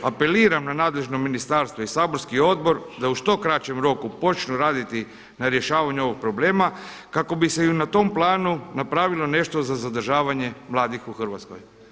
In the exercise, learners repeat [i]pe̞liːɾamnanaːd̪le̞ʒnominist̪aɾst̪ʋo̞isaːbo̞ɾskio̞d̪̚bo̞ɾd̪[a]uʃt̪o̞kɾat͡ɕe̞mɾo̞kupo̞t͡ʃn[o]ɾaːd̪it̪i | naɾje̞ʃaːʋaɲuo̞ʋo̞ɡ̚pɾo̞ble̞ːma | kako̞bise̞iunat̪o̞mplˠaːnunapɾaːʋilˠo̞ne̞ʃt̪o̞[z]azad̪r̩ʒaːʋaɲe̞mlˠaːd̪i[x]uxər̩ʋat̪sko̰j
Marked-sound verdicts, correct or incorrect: incorrect: a, correct, incorrect: u, correct, correct

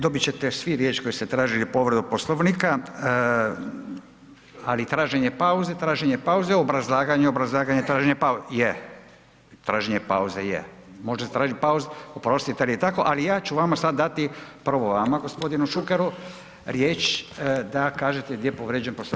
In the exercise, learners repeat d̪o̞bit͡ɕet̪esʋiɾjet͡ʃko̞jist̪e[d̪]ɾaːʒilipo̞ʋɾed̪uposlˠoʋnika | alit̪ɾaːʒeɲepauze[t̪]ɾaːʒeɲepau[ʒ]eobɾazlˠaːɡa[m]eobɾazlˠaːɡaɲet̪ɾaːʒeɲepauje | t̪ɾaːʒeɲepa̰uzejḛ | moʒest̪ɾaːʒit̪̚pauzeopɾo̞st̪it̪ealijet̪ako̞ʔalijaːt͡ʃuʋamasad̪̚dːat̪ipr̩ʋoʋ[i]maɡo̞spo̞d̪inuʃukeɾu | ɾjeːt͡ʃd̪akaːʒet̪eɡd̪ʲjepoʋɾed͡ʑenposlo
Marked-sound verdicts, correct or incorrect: incorrect: t̪, correct, incorrect: z, incorrect: ɲ, incorrect: a

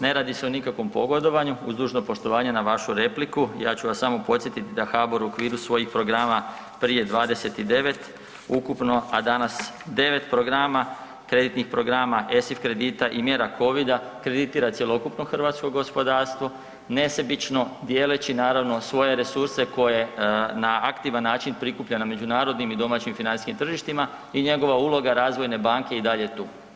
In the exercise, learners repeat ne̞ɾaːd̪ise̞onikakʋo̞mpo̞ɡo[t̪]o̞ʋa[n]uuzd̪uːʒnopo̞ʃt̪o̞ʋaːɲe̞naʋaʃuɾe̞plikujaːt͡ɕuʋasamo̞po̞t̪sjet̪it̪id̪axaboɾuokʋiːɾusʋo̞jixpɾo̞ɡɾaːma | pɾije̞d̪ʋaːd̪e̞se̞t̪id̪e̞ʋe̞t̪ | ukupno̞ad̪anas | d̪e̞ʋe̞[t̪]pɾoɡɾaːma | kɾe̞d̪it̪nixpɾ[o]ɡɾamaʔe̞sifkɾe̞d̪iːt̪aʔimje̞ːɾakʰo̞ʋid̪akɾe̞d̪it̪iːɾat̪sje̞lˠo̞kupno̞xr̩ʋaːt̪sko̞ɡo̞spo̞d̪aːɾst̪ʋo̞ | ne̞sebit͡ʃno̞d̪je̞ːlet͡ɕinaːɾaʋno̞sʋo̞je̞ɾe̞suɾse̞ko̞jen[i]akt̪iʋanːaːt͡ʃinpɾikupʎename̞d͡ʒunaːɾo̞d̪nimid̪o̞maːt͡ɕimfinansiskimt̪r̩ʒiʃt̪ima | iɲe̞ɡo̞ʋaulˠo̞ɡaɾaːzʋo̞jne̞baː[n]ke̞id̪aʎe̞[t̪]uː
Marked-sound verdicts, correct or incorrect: incorrect: d̪, incorrect: ɲ, correct, correct, incorrect: a, incorrect: ŋ, correct

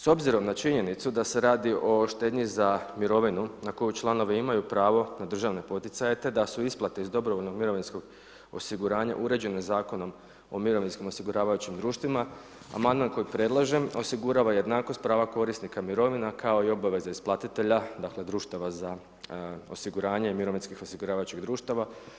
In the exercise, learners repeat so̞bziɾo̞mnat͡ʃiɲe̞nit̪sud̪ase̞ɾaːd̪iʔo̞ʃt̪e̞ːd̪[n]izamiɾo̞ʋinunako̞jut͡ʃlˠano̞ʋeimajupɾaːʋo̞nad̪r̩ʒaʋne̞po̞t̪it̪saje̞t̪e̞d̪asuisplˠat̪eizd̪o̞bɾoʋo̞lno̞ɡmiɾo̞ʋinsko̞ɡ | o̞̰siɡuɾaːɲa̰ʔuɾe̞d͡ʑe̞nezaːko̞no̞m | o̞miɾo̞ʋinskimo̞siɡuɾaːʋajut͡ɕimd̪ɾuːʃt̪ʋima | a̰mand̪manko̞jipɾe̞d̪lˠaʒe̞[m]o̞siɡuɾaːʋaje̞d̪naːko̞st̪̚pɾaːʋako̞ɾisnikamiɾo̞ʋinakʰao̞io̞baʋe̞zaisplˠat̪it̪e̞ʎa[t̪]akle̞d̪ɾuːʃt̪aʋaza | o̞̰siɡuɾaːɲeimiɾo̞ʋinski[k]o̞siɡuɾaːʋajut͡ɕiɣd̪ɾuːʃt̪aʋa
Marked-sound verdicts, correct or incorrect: incorrect: ɲ, correct, incorrect: d̪, incorrect: x

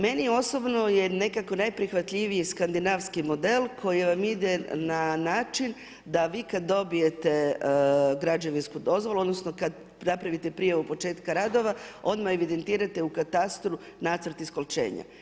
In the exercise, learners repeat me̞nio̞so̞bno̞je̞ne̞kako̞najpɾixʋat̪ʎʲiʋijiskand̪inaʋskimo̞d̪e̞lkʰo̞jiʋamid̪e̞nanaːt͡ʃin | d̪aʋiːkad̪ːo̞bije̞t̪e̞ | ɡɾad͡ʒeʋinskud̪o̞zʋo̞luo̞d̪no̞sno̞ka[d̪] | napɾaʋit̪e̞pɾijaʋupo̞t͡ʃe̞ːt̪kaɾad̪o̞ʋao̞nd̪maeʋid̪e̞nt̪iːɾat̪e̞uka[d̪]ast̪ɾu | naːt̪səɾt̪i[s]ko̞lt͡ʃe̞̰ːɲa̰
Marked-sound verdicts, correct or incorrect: correct, incorrect: t̪, correct

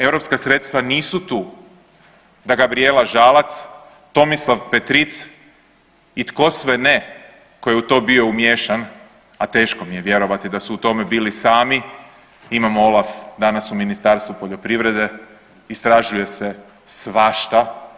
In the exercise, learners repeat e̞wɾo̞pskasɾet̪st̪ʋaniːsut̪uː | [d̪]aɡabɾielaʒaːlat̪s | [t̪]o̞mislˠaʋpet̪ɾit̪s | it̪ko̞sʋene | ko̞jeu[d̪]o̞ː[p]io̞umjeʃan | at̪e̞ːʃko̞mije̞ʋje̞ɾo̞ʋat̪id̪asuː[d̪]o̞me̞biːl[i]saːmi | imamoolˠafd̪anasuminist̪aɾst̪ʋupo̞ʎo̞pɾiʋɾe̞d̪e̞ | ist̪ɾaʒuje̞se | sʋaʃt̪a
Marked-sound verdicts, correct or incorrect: correct, correct, incorrect: t̪, incorrect: b, incorrect: t̪, correct

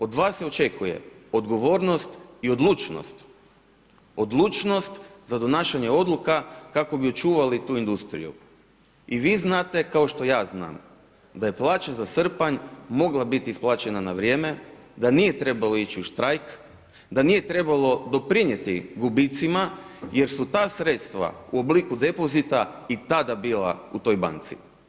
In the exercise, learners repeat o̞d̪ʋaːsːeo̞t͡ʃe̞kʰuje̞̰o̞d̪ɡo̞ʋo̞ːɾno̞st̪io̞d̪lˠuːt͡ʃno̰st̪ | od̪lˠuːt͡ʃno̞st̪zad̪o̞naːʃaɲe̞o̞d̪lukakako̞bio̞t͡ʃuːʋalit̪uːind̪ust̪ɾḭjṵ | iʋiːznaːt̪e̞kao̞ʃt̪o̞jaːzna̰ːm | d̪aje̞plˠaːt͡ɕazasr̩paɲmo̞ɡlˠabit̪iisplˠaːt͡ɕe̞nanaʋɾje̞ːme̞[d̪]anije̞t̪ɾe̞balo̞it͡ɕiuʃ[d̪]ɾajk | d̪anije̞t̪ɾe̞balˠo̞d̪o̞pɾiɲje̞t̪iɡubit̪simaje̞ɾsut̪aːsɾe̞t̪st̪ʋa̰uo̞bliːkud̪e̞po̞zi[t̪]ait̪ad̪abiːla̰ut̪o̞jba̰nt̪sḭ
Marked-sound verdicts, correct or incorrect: correct, incorrect: t̪, correct

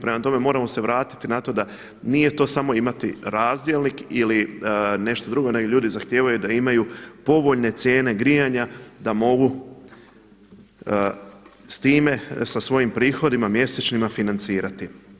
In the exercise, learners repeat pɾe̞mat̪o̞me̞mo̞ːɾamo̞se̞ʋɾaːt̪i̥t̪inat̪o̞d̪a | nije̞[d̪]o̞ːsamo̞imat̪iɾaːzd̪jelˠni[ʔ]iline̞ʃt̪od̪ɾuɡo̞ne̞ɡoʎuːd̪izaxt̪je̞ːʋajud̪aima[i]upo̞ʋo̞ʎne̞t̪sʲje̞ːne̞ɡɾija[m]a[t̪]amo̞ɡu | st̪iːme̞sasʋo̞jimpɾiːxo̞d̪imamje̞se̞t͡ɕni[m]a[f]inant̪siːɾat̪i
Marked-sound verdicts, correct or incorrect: incorrect: t̪, incorrect: k, incorrect: j, incorrect: ɲ, incorrect: d̪, correct, correct

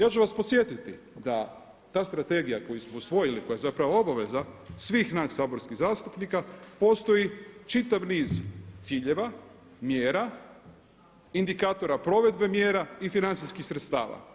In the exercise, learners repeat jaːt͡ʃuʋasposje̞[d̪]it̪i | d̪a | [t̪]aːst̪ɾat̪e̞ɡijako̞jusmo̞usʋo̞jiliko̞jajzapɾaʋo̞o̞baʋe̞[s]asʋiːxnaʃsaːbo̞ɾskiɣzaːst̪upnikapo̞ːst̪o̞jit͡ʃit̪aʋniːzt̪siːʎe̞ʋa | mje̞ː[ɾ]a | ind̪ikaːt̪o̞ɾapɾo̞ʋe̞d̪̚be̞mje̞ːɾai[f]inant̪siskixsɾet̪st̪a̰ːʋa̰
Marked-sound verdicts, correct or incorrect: incorrect: t̪, correct, incorrect: z, correct, correct

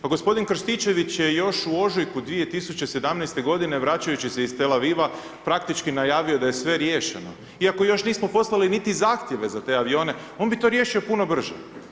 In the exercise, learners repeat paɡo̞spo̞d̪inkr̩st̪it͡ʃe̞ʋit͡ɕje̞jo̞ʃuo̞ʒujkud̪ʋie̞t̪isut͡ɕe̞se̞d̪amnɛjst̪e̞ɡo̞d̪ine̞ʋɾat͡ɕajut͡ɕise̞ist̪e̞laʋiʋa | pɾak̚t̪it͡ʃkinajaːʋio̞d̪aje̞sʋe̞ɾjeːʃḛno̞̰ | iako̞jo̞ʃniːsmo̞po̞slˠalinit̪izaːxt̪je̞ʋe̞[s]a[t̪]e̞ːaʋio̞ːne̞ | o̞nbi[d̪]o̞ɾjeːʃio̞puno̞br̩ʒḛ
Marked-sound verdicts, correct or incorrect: incorrect: z, correct, incorrect: t̪

